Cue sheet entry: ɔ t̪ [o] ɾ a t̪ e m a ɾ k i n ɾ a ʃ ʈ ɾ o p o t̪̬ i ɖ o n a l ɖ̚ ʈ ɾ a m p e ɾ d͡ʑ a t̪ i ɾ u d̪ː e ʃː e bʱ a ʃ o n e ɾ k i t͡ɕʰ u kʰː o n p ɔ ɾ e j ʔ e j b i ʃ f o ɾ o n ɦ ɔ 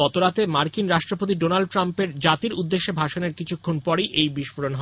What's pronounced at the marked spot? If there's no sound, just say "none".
o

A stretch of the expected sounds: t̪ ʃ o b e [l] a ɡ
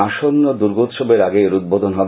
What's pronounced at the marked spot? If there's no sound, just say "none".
ɾ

